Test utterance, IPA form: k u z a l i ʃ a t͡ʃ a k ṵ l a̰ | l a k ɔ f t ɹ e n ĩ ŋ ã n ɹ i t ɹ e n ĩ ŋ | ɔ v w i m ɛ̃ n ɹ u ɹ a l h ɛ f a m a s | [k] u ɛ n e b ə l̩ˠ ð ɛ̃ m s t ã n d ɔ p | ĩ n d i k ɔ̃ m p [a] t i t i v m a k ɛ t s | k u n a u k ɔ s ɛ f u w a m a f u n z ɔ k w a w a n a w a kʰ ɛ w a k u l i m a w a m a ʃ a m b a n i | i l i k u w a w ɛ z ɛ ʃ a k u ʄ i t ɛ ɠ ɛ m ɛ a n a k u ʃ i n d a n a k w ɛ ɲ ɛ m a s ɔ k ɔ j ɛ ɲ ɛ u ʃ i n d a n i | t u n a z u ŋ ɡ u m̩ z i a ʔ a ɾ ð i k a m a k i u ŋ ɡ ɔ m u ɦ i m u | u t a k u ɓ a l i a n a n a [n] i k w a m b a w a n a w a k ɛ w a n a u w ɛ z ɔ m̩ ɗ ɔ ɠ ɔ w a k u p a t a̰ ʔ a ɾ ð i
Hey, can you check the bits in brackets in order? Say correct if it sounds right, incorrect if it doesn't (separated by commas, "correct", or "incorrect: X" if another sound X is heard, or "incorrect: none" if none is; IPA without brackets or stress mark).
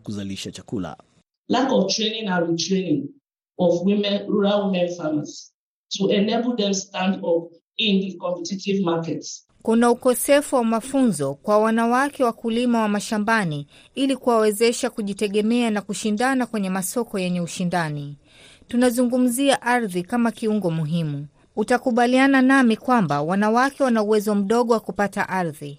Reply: incorrect: t, incorrect: ɛ, incorrect: m